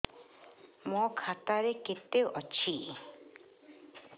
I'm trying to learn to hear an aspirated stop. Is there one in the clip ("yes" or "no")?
yes